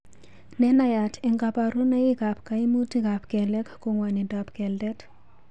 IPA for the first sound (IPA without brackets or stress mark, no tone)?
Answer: n